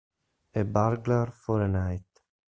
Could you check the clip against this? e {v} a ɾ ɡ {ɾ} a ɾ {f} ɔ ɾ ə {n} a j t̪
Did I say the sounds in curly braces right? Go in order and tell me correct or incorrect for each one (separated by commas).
incorrect, incorrect, correct, correct